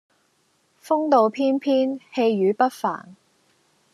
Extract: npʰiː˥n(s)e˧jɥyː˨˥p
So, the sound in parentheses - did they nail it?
no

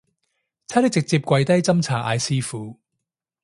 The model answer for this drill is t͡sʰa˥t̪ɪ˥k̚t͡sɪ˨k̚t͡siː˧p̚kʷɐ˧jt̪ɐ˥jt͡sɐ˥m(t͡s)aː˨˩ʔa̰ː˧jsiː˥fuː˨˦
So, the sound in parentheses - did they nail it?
no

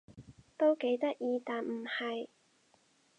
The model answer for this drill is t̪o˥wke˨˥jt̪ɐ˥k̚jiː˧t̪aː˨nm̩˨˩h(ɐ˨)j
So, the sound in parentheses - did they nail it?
yes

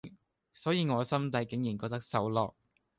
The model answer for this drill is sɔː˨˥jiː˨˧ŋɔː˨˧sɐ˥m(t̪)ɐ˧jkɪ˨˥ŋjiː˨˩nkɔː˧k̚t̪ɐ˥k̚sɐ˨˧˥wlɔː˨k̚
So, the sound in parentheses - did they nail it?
yes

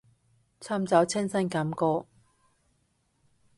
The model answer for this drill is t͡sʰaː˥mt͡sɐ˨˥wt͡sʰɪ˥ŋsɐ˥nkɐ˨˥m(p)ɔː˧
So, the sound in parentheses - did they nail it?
no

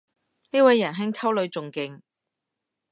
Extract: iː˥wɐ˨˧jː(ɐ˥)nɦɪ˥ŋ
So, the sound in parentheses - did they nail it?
no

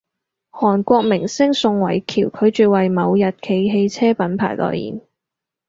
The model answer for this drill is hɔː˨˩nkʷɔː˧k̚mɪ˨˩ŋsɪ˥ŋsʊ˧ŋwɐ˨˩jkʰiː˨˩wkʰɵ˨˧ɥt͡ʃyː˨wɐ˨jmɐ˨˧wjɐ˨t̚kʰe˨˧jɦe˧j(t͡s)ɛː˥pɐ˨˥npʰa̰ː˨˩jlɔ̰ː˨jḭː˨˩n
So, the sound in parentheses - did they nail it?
no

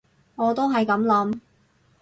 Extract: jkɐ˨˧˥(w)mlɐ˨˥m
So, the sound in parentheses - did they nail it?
no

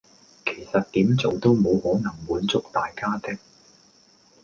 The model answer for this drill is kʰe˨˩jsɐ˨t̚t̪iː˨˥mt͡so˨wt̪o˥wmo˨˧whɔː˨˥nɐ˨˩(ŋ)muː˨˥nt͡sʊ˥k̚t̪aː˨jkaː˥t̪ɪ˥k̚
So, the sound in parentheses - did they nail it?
yes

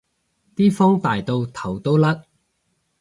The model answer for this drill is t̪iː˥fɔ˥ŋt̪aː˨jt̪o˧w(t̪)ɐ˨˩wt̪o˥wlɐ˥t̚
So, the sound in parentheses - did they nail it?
no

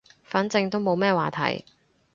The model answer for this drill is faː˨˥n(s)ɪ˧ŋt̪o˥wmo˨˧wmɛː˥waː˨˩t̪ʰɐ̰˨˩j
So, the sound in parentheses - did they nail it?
no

